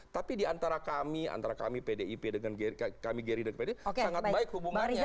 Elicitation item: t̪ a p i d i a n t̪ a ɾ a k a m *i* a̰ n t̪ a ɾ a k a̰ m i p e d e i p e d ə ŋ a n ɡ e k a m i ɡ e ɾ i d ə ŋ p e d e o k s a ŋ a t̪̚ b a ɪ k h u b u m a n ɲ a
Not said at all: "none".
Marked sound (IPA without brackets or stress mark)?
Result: i